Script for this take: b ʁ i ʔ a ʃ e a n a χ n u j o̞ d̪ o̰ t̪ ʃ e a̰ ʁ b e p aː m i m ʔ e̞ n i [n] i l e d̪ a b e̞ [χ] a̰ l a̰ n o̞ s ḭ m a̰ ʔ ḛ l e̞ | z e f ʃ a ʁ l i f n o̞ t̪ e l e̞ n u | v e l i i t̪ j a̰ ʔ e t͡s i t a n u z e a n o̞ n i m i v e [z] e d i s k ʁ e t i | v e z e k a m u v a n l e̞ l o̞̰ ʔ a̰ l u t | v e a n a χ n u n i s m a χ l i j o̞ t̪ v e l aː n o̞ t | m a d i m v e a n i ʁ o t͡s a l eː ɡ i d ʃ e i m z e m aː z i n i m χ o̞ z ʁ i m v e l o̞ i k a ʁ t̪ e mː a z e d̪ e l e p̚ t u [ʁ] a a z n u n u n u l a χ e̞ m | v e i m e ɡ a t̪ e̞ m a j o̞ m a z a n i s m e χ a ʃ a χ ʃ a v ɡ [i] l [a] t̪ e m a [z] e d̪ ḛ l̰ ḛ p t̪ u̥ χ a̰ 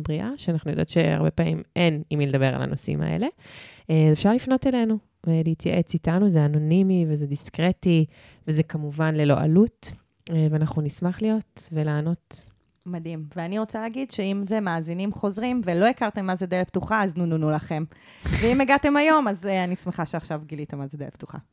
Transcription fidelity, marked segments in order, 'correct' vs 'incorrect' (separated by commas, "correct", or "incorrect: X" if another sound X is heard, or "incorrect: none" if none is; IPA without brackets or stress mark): incorrect: m, incorrect: ʁ, correct, incorrect: χ, correct, incorrect: i, correct